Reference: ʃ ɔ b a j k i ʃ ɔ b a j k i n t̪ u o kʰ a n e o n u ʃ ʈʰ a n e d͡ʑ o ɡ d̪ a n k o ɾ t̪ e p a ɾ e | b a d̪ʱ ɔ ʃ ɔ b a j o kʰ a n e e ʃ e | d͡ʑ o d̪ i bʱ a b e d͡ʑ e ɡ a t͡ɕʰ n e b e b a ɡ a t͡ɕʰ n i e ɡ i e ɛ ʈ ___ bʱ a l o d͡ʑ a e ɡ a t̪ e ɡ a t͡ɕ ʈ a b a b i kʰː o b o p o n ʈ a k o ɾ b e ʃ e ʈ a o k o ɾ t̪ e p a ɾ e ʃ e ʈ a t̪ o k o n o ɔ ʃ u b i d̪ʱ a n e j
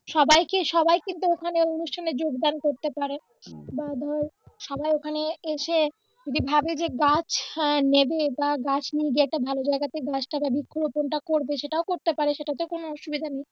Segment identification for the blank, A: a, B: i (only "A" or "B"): A